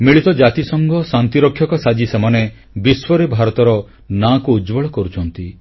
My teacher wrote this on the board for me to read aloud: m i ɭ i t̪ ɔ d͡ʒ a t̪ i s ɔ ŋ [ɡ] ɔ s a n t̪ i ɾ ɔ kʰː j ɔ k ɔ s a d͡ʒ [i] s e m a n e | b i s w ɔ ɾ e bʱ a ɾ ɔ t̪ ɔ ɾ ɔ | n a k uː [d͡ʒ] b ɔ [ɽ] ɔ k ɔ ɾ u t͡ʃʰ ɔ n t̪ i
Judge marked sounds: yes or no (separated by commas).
yes, yes, yes, no